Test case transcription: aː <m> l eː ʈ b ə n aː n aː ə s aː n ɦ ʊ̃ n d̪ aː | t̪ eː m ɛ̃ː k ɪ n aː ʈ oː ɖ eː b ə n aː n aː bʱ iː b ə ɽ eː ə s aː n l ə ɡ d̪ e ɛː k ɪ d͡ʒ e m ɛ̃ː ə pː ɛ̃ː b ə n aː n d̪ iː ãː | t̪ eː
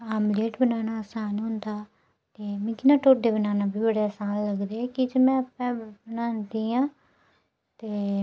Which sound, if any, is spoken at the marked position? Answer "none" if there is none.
m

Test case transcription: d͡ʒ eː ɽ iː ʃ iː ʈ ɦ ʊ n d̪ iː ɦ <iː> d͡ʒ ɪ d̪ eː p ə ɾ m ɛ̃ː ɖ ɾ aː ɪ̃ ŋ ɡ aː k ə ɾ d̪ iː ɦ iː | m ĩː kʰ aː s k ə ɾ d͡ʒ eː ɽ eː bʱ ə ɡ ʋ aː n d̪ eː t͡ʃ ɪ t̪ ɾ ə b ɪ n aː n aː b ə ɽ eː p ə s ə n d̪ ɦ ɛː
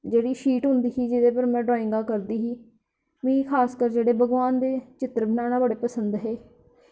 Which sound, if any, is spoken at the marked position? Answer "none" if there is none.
iː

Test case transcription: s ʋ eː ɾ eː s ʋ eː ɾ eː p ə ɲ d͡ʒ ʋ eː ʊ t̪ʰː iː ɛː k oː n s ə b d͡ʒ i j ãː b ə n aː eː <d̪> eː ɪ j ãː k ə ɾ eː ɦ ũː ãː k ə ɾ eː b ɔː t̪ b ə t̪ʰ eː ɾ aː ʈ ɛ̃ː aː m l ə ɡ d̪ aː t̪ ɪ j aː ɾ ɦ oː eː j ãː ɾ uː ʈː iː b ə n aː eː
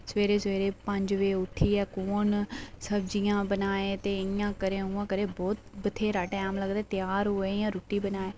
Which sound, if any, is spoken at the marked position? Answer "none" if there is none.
t̪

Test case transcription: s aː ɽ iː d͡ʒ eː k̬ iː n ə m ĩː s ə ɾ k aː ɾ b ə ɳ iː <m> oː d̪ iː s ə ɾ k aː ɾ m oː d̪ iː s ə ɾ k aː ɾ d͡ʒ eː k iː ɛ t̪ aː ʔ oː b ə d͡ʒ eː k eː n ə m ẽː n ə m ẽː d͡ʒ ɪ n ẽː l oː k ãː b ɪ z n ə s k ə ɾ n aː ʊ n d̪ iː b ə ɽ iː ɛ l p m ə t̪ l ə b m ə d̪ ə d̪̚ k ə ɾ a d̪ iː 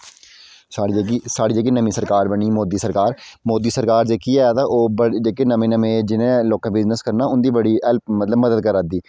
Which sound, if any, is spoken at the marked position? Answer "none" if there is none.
m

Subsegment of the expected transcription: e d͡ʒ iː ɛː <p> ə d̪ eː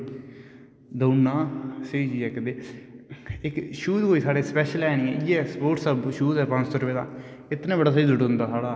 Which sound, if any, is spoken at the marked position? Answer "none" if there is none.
k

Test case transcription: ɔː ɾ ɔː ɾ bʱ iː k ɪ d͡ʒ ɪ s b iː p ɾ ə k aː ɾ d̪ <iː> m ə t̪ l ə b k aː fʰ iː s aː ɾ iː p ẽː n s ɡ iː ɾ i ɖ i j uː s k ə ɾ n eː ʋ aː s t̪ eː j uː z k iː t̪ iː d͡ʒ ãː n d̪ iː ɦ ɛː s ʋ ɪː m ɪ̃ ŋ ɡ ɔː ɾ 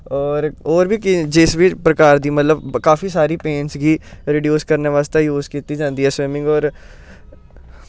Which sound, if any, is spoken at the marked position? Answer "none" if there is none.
iː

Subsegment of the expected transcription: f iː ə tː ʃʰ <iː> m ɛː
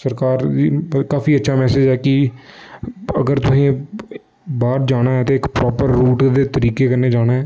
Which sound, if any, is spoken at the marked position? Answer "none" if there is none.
aː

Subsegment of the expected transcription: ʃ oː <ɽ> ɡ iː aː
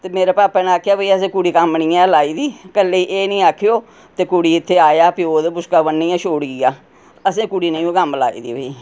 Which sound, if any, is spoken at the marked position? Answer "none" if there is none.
ɽ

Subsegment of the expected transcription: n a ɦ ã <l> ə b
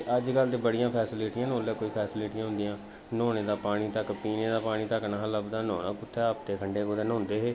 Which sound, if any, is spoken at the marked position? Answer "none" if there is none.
l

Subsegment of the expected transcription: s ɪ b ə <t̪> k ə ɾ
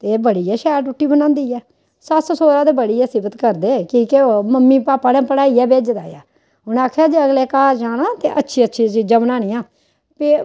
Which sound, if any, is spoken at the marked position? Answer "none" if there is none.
t̪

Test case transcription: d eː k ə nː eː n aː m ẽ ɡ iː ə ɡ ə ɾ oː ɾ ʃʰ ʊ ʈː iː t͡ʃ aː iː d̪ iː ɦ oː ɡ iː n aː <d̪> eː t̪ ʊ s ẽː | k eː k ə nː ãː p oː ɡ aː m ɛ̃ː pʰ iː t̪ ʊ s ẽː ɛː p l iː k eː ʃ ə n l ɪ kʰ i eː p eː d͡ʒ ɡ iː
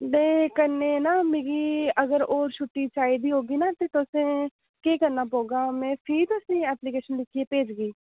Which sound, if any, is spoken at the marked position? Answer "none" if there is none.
t̪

